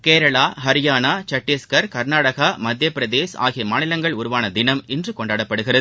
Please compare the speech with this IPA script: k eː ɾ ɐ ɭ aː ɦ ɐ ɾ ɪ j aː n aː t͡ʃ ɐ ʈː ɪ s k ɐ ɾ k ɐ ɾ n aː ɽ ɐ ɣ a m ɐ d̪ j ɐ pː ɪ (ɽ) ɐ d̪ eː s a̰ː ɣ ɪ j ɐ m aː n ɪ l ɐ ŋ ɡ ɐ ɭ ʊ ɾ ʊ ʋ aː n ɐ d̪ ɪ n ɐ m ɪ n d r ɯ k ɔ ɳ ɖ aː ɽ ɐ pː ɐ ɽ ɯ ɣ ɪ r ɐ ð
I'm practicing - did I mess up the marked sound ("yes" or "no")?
yes